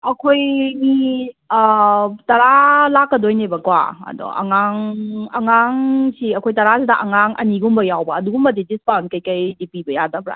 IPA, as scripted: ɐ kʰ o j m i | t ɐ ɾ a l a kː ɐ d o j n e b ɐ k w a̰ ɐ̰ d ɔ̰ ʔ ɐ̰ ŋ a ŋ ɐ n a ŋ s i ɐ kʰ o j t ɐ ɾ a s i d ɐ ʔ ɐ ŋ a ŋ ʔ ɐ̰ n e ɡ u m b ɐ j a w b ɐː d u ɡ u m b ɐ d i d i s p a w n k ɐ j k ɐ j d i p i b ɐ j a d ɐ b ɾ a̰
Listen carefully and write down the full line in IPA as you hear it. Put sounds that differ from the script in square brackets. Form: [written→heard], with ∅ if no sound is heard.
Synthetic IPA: ɐ kʰ o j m i | t ɐ ɾ a l a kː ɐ d o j n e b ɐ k w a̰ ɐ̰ d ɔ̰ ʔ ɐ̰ ŋ a ŋ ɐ [n→ŋ] a ŋ s i ɐ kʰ o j t ɐ ɾ a s i d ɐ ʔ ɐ ŋ a ŋ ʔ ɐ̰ n [e→i] ɡ u m b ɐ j a w b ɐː d u ɡ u m b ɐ d i d i s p a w n k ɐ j k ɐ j d i p i b ɐ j a d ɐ b ɾ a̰